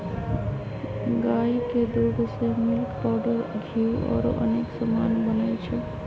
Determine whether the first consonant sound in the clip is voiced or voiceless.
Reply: voiced